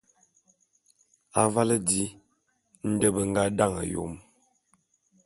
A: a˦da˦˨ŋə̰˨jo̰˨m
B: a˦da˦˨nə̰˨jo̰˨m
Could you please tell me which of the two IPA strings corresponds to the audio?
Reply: A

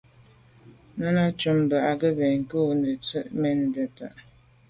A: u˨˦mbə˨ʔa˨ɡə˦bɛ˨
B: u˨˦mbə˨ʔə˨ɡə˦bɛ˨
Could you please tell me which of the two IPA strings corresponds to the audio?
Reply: A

